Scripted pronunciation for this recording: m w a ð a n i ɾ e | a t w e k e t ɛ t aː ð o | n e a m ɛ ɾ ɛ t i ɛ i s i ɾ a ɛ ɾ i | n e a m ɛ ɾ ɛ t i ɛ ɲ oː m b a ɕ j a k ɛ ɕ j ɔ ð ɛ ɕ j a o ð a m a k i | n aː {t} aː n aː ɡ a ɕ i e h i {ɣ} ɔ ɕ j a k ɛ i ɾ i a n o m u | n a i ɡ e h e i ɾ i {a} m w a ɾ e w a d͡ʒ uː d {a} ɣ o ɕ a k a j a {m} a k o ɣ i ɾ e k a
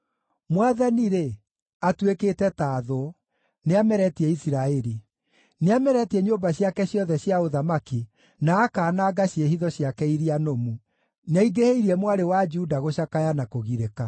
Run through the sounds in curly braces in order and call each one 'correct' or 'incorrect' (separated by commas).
incorrect, incorrect, incorrect, correct, incorrect